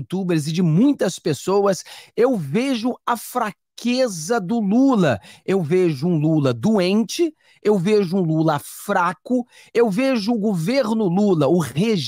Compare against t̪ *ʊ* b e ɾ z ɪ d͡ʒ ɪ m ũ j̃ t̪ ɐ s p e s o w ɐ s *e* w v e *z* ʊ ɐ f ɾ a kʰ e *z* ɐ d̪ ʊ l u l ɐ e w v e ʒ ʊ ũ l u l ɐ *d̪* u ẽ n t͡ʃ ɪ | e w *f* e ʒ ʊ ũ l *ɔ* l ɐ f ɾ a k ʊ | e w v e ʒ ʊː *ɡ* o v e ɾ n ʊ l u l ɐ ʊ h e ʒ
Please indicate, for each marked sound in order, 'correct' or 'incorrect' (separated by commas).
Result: incorrect, correct, incorrect, correct, correct, incorrect, incorrect, correct